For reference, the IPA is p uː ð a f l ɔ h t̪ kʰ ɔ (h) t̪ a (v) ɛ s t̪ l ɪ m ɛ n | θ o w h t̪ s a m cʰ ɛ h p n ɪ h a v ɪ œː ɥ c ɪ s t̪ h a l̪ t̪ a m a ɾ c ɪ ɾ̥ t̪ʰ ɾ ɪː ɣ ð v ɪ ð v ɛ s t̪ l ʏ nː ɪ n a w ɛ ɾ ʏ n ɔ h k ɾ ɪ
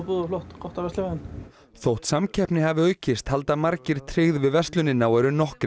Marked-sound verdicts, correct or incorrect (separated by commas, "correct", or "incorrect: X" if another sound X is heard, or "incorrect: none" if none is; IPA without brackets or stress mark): correct, correct